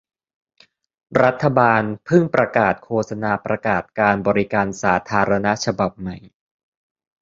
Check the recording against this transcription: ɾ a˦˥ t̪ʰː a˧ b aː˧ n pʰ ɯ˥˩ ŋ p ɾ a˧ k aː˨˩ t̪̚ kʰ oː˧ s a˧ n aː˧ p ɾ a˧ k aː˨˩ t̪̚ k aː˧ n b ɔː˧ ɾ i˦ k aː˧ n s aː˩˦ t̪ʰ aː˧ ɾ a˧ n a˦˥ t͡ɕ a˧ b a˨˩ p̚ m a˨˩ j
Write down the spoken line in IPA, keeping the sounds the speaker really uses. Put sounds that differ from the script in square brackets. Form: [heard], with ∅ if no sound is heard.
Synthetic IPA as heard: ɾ a˦˥ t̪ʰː a˧ b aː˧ n pʰ ɯ˥˩ ŋ p ɾ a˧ k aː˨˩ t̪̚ kʰ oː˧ s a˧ n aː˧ p ɾ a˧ k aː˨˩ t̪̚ k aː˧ n b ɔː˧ ɾ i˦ k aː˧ n s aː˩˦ t̪ʰ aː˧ ɾ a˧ n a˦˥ [t͡ɕʰ] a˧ b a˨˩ p̚ m a˨˩ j